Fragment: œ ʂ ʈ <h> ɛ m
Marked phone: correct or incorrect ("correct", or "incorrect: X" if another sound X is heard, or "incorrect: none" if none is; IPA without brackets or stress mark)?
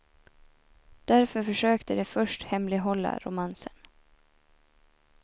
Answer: correct